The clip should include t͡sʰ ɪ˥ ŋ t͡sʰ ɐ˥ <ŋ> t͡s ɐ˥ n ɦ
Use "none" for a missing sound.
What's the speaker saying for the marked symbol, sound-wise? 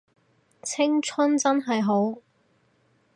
n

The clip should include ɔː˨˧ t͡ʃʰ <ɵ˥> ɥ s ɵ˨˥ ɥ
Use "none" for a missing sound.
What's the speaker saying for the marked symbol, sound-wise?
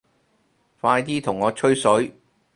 ɵ˥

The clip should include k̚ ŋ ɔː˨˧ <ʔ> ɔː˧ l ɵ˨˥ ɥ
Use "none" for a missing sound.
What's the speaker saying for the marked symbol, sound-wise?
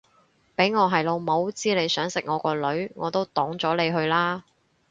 k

